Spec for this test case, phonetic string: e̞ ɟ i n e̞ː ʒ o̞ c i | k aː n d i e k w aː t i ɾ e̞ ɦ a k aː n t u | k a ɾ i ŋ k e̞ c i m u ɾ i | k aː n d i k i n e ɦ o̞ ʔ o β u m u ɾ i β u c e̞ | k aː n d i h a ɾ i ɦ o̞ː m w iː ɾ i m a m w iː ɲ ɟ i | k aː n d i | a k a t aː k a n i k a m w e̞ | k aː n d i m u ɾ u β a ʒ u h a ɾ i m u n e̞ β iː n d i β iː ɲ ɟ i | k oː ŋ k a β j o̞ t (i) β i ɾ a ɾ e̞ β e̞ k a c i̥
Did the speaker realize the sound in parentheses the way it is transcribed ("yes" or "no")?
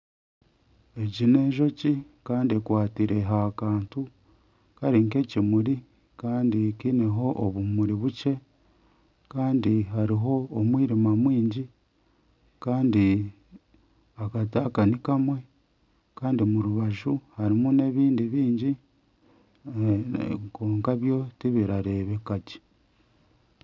yes